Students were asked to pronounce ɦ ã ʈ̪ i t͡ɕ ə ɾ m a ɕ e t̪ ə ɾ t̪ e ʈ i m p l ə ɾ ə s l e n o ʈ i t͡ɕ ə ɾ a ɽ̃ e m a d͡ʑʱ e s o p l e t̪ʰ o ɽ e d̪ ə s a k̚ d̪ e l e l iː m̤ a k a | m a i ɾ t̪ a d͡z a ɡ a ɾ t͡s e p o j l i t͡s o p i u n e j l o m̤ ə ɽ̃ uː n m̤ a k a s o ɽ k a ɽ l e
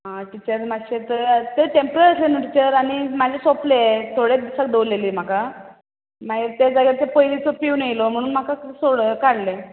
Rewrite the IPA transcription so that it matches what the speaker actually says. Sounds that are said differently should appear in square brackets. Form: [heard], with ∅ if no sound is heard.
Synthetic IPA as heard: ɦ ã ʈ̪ i t͡ɕ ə ɾ m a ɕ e t̪ ə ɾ t̪ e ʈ [e] m p [ɾ] ə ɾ ə s l e n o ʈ i t͡ɕ ə ɾ a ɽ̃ [i] m a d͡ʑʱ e s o p l e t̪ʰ o ɽ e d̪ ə s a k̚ d̪ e l e l iː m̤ a k a | m a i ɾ t̪ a d͡z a ɡ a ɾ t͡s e p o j l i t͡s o p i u n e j l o m̤ ə ɽ̃ uː n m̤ a k a s o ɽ k a ɽ l e